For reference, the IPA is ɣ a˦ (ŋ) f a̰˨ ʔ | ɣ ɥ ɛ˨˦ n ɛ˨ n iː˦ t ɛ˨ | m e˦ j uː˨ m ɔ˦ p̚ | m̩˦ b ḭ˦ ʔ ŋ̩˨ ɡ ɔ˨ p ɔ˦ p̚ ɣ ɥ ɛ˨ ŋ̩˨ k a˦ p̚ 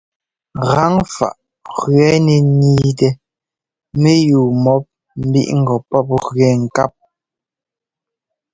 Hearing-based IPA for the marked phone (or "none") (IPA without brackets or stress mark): ŋ